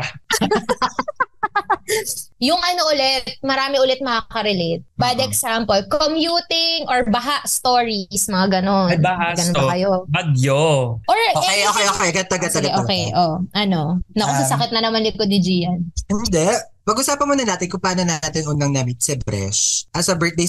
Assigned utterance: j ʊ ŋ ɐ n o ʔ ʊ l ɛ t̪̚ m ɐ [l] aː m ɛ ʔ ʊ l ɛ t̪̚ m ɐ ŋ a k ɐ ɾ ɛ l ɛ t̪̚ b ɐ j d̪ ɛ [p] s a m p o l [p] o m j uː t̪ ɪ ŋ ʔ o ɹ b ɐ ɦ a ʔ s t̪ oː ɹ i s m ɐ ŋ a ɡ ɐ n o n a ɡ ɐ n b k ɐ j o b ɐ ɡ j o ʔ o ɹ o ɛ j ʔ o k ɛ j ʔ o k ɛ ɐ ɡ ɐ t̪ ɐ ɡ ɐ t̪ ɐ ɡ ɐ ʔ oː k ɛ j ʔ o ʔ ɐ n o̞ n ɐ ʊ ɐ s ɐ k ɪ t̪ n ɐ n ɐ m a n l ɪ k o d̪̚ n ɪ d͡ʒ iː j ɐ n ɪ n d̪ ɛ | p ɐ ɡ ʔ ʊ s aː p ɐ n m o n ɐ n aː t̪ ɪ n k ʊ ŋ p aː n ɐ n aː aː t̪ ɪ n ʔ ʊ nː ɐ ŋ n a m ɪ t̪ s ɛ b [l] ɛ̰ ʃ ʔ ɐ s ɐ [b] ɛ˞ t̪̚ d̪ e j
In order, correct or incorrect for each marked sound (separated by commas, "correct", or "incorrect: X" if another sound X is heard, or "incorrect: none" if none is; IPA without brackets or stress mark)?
incorrect: ɾ, incorrect: k, incorrect: k, incorrect: ɾ, correct